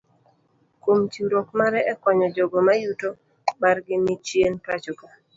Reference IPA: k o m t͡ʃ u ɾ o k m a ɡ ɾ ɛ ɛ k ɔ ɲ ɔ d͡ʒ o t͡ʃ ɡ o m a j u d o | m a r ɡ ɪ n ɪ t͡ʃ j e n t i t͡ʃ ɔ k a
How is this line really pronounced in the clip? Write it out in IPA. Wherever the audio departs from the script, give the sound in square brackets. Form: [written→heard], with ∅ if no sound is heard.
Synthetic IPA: k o m t͡ʃ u ɾ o k m a [ɡ→∅] ɾ ɛ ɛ k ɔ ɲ ɔ d͡ʒ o [t͡ʃ→∅] ɡ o m a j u [d→t] o | m a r ɡ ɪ n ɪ t͡ʃ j e n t [i→a] t͡ʃ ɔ k a